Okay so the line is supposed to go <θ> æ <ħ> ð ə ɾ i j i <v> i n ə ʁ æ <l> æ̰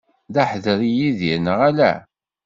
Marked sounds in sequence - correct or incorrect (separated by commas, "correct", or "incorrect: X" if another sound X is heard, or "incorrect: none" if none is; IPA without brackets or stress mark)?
incorrect: ð, correct, incorrect: ð, correct